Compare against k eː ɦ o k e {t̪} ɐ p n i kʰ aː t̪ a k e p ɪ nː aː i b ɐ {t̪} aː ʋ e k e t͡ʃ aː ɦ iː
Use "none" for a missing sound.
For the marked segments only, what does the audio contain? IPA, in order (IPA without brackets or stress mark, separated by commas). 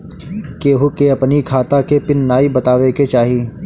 none, t̪